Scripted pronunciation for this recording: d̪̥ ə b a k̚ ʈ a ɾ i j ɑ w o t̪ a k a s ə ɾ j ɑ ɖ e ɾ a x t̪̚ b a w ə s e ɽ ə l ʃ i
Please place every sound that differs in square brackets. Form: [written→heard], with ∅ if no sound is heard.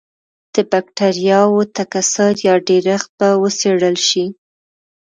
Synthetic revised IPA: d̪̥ ə b a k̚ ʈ a ɾ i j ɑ w o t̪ a k a s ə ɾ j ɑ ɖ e ɾ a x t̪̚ b a w ə s e ɽ ə l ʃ i